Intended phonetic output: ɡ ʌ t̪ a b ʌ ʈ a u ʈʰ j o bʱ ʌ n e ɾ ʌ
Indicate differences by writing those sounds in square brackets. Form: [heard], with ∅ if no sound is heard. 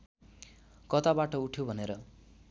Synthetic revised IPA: [k] ʌ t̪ a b [a] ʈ [ʌ] u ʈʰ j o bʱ ʌ n e ɾ ʌ